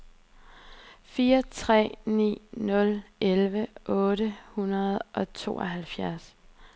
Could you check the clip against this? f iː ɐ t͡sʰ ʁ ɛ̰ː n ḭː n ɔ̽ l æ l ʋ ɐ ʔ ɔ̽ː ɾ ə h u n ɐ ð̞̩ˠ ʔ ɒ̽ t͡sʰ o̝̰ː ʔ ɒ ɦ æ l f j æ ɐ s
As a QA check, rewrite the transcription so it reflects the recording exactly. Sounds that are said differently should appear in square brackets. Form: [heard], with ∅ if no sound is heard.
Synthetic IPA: f iː ɐ t͡sʰ ʁ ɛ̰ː n ḭː n ɔ̽ l [e] l ʋ [ə] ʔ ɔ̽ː ɾ ə h u n ɐ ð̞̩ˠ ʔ ɒ̽ t͡sʰ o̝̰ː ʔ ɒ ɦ æ l f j æ ɐ s